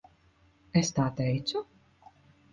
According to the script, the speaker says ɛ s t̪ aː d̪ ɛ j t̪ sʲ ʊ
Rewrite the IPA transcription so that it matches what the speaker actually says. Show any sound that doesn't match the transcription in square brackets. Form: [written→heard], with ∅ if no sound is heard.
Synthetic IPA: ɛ s t̪ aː [d̪→t̪] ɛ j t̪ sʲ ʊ